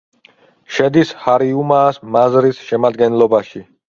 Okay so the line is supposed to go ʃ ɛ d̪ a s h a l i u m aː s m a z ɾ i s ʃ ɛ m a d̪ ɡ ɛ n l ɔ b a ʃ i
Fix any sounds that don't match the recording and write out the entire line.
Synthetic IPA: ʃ ɛ d̪ i s h a ɾ i u m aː s m a z ɾ i s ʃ ɛ m a d̪ ɡ ɛ n l ɔ b a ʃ i